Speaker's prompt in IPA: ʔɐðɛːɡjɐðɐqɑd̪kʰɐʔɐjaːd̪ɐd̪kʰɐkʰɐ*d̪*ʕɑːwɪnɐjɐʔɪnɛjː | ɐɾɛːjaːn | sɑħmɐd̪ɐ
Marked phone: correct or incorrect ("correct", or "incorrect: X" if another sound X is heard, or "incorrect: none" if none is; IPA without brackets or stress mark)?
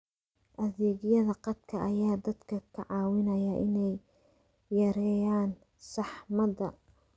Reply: incorrect: none